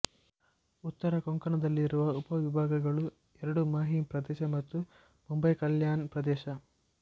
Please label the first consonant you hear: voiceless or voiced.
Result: voiceless